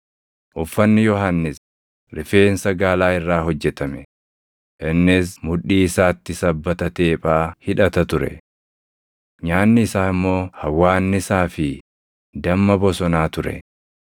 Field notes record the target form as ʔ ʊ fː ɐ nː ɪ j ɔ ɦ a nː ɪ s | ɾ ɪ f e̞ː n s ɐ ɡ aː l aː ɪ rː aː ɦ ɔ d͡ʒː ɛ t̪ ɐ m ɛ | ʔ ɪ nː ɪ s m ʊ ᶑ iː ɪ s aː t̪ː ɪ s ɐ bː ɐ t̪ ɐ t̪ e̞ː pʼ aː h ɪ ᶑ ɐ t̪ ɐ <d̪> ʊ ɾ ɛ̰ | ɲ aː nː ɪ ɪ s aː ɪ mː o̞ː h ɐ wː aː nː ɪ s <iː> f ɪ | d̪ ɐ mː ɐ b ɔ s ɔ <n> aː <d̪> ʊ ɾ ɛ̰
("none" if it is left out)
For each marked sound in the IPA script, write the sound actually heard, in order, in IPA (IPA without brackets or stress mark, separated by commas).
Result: t̪, aː, n, t̪